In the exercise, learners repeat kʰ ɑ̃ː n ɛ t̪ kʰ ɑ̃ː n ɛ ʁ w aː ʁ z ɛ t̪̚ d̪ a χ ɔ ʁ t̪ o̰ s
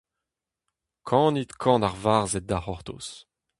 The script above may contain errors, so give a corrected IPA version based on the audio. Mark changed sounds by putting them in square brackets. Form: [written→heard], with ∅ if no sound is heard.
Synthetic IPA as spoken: kʰ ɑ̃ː n [ɛ→i] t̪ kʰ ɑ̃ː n [ɛ→a] ʁ [w→v] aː ʁ z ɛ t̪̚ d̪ a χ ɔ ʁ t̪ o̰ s